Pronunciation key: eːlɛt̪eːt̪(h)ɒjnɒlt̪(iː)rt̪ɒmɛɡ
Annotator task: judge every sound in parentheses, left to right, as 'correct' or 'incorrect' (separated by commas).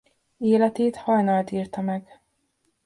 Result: correct, correct